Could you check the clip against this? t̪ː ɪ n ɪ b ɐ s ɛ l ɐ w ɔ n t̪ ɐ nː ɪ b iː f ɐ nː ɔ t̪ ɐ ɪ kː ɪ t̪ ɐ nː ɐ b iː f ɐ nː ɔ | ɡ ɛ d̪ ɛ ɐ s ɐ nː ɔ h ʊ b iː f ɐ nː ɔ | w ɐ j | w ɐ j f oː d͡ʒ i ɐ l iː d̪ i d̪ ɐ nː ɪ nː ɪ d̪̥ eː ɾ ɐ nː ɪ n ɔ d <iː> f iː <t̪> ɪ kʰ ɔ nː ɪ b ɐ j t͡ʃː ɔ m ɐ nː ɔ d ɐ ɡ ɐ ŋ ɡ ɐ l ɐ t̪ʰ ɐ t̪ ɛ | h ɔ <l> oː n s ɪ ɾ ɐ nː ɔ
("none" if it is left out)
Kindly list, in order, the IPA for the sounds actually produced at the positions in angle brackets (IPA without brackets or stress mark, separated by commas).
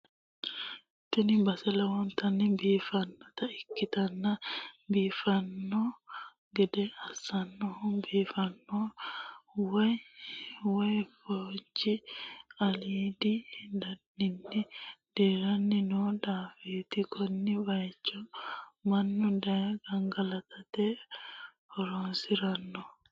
aː, t̪, ɾ